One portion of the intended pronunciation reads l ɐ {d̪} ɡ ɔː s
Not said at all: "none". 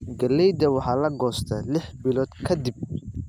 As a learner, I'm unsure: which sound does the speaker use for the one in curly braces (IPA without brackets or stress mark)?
none